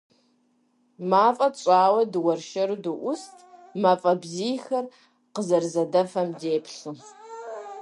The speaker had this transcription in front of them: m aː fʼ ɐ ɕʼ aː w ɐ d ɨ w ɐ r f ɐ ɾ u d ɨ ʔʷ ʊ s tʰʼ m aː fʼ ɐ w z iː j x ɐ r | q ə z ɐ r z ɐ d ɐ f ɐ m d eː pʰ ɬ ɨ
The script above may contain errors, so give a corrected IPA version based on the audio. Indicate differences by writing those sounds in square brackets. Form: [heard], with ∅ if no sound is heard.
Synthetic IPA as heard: m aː fʼ ɐ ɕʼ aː w ɐ d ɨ w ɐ r [ʃ] ɐ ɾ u d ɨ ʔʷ ʊ s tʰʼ m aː fʼ ɐ [b] z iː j x ɐ r | q ə z ɐ r z ɐ d ɐ f ɐ m d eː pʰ ɬ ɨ